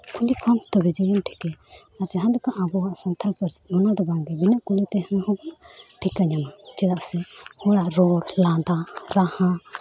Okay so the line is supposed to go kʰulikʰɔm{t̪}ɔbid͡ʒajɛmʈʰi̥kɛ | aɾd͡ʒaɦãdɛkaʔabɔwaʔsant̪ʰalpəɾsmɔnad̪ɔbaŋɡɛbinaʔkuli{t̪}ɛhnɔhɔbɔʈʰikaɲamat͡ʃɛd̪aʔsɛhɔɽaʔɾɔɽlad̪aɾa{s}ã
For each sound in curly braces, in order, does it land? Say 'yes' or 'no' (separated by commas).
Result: yes, yes, no